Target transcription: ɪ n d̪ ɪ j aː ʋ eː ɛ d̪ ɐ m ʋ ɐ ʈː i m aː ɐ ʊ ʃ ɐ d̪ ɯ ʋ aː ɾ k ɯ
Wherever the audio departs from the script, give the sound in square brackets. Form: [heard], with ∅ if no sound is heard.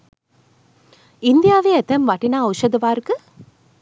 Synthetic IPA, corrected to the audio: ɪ n d̪ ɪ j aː ʋ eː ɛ [t̪] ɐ m ʋ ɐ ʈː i [n] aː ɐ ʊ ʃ ɐ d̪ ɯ ʋ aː ɾ k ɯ